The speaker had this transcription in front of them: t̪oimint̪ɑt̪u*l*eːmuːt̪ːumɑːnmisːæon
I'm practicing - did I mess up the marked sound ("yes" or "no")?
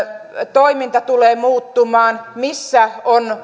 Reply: no